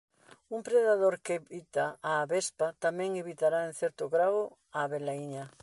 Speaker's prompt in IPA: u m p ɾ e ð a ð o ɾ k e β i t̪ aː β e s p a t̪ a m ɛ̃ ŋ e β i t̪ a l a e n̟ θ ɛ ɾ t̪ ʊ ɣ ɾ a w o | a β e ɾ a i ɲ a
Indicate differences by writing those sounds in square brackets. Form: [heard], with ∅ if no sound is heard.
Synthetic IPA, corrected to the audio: u m p ɾ e ð a ð o ɾ k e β i t̪ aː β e s p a t̪ a m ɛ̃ ŋ e β i t̪ a [ɾ] a e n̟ θ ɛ ɾ t̪ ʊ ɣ ɾ a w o | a β e [l] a i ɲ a